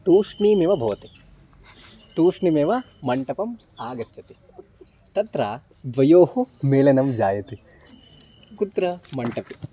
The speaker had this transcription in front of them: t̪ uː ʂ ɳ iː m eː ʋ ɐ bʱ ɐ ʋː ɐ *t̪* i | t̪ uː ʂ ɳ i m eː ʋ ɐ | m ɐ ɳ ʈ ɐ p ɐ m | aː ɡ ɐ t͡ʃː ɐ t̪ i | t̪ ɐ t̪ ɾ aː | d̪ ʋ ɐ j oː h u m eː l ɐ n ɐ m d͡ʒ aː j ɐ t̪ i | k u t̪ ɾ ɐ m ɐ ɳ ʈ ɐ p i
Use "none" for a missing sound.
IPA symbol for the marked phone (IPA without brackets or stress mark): t̪